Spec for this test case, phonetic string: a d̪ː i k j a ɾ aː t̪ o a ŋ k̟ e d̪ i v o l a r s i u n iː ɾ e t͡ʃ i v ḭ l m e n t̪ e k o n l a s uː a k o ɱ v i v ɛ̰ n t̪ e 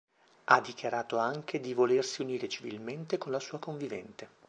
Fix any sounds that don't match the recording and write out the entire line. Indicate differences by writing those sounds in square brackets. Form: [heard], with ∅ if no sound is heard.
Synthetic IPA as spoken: a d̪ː i k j a ɾ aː t̪ o a ŋ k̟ e d̪ i v o l [e] r s i u n iː ɾ e t͡ʃ i v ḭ l m e n t̪ e k o n l a s uː a k o ɱ v i v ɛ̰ n t̪ e